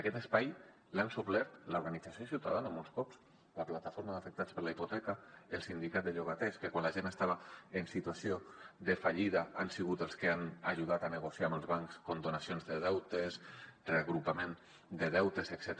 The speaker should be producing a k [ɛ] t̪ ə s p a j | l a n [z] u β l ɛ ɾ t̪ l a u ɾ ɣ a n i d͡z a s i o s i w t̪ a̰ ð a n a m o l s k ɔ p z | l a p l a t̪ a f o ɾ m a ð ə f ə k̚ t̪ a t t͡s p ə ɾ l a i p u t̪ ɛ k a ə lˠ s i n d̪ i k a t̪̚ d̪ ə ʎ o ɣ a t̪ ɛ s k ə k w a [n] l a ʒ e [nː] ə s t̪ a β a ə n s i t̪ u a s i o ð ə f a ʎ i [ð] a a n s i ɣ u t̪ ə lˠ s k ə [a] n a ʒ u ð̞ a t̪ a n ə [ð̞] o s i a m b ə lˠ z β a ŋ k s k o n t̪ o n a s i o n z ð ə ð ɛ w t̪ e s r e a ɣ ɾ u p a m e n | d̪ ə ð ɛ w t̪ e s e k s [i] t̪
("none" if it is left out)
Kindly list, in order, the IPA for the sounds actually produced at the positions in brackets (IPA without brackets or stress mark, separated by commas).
ɛ, s, n, n, ð, a, ɣ̞, ɛ